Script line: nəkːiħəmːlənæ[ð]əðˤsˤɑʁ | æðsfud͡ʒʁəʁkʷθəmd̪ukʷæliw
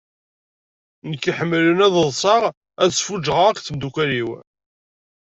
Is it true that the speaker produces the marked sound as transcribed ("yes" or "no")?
yes